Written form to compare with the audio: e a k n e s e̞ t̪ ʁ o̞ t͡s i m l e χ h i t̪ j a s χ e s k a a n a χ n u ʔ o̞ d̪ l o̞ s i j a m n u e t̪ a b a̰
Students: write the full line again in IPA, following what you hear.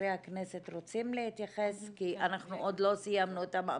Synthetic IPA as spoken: e a k n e s e̞ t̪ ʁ o̞ t͡s i m l e h i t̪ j a χ e s k i a n a χ n u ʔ o̞ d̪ l o̞ s i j a m n u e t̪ a m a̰